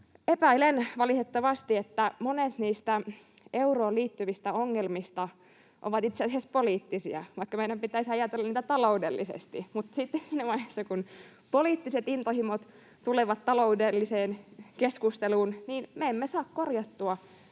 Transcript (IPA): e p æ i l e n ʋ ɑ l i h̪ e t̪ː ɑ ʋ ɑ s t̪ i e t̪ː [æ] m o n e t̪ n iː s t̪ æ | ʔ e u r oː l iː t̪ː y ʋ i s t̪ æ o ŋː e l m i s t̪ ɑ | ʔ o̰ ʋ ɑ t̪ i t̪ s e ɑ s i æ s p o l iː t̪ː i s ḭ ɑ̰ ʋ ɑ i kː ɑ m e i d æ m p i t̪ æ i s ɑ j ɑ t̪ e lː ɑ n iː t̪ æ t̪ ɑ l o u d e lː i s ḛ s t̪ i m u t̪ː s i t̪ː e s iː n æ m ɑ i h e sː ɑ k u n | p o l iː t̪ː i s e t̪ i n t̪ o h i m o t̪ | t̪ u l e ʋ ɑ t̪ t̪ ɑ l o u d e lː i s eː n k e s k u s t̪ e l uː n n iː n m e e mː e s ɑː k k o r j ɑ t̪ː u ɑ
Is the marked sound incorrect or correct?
correct